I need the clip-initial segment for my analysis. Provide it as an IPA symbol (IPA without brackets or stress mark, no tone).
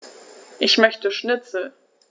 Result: ʔ